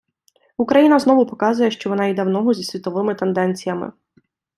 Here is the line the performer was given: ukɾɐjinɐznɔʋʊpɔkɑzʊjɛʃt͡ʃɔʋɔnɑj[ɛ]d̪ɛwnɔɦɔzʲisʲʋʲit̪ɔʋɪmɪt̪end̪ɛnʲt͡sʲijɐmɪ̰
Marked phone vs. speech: incorrect: i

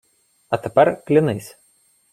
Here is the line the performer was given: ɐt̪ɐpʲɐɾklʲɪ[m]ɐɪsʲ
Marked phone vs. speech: incorrect: n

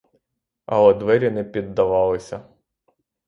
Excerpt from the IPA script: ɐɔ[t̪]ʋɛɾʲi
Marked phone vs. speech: incorrect: d̪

